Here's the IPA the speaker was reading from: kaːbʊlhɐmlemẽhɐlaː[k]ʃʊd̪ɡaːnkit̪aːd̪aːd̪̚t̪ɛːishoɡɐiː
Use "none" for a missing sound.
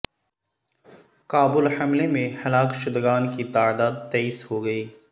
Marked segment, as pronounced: k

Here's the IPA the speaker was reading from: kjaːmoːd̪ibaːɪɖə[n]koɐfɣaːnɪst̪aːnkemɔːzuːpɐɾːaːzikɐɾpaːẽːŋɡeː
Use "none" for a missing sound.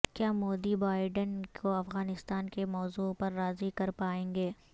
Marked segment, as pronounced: n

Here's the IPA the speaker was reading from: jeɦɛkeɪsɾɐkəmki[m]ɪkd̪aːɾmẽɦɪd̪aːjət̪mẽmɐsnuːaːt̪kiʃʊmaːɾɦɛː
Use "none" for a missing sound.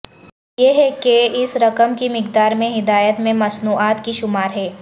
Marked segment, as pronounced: m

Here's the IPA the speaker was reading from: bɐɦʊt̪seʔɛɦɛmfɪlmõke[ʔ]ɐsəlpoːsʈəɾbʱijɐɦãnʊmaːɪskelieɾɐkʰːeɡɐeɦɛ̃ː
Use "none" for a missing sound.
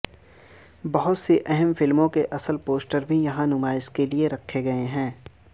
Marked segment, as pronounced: ʔ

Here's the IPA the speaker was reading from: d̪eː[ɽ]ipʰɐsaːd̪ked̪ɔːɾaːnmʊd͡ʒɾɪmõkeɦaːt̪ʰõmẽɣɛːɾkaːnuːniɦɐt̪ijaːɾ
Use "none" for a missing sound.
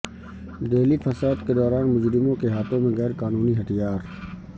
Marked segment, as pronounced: l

